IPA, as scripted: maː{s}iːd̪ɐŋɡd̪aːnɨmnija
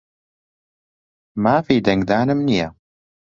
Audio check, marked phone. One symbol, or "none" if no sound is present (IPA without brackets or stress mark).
f